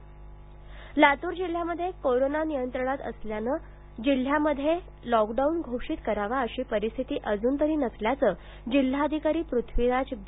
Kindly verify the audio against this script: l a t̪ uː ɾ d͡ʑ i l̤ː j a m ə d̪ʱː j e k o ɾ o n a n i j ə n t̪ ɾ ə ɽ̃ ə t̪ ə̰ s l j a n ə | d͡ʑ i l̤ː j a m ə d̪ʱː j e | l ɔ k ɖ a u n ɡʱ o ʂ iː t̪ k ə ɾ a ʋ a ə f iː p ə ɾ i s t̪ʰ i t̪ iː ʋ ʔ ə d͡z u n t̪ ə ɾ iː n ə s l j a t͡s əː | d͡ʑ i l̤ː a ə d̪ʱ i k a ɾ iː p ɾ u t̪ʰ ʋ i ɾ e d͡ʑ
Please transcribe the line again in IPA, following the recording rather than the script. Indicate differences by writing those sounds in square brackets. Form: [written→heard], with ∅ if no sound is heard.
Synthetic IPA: l a t̪ uː ɾ d͡ʑ i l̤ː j a m ə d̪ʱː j e k o ɾ o n a n i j ə n t̪ ɾ ə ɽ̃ [ə→a] t̪ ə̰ s l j a n ə | d͡ʑ i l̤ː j a m ə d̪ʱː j e | l ɔ k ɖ a u n ɡʱ o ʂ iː t̪ k ə ɾ a ʋ a ə [f→ɕ] iː p ə ɾ i s t̪ʰ i t̪ iː [ʋ→∅] ʔ ə d͡z [u→uː] n t̪ ə ɾ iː n ə s l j a t͡s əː | d͡ʑ i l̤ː a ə d̪ʱ i k a ɾ iː p ɾ u t̪ʰ ʋ i ɾ [e→a] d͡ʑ